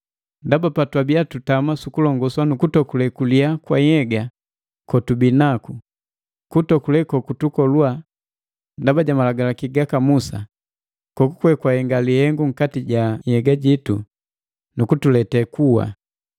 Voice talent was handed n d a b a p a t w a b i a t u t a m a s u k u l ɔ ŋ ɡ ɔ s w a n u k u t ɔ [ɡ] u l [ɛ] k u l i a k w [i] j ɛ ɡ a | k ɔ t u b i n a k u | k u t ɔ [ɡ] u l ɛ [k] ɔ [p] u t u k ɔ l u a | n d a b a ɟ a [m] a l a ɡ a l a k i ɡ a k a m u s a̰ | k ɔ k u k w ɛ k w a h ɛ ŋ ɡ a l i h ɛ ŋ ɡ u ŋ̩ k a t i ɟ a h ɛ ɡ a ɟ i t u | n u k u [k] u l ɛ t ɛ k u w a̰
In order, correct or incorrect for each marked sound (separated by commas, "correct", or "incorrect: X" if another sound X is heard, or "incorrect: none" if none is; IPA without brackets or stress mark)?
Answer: incorrect: k, correct, incorrect: a, incorrect: k, correct, incorrect: k, correct, incorrect: t